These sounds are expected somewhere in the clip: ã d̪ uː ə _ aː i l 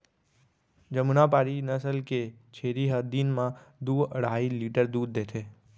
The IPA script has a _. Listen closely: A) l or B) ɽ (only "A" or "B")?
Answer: B